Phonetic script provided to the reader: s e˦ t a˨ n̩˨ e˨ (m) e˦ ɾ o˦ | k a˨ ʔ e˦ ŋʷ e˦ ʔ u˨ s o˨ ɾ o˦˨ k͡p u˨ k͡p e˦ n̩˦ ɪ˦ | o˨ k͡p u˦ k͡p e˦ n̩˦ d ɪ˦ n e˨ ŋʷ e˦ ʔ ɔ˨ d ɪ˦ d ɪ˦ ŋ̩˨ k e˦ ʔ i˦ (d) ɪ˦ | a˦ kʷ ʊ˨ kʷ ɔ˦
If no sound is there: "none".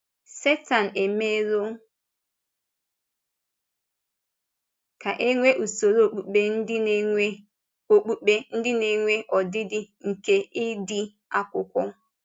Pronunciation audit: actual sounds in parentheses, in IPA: m, d

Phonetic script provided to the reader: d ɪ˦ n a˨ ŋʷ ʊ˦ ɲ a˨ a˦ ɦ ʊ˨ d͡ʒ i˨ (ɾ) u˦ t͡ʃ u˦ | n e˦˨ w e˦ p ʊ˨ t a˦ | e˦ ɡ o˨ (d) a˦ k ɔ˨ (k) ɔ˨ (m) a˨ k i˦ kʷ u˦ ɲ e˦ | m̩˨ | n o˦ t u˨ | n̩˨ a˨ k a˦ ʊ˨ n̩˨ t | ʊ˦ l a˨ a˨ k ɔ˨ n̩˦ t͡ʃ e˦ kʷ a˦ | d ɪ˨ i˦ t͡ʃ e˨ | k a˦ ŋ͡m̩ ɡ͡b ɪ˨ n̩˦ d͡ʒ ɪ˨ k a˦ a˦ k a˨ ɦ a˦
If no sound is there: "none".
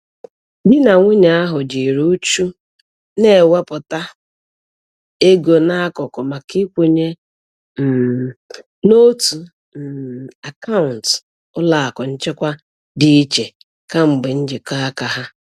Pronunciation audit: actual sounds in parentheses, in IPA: ɾ, n, k, m

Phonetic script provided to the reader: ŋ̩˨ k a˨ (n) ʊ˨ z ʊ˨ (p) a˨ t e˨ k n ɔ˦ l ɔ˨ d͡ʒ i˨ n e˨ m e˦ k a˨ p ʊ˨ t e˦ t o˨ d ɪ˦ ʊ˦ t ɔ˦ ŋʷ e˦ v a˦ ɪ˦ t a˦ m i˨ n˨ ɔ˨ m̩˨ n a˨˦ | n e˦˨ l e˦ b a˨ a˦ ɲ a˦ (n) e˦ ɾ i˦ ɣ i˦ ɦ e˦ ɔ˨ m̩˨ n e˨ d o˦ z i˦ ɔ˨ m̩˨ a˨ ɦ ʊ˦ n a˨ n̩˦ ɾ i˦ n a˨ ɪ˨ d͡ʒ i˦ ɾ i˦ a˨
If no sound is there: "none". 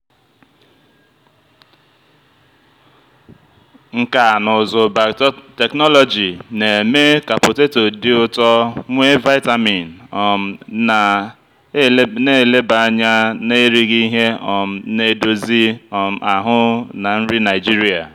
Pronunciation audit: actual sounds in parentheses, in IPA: n, b, n

